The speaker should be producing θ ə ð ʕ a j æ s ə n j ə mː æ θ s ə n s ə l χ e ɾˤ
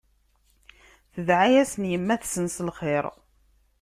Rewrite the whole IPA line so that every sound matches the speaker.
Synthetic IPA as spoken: θ ə ð ʕ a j æ s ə n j ə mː æ θ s ə n s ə l χ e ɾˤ